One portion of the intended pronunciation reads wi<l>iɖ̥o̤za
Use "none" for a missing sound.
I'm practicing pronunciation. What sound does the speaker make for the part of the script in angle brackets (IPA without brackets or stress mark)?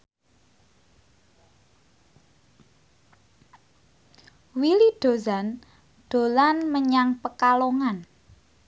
l